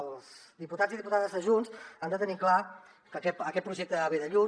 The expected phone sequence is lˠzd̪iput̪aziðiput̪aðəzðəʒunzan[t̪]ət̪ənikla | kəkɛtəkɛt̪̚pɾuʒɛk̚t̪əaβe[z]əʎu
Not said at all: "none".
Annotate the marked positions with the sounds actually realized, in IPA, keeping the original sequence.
d̪, ð

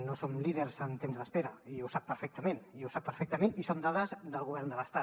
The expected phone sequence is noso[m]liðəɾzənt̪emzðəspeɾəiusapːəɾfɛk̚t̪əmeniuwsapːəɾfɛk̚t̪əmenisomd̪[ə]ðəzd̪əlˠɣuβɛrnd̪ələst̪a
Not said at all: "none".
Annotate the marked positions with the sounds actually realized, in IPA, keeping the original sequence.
m, a

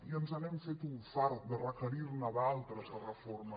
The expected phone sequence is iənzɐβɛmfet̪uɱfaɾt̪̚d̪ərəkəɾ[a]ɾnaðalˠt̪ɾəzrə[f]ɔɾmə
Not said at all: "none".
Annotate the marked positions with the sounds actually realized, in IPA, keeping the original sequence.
i, f

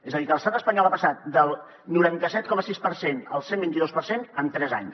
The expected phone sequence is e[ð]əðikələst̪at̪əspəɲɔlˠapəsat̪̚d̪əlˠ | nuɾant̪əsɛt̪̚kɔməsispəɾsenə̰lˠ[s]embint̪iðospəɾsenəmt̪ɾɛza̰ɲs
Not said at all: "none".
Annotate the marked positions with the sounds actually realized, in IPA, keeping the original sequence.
z, s

